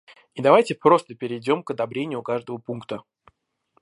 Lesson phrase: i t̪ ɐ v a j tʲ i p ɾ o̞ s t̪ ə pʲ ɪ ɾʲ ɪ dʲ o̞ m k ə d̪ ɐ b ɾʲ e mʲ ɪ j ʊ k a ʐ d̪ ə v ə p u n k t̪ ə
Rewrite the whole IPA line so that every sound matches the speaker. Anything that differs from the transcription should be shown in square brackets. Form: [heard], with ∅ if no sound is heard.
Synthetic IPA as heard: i [d̪] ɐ v a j tʲ [ɪ] p ɾ o̞ s t̪ ə pʲ ɪ ɾʲ ɪ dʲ o̞ m k ə d̪ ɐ b ɾʲ e [nʲ] ɪ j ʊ k a ʐ d̪ ə v ə p u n k t̪ ə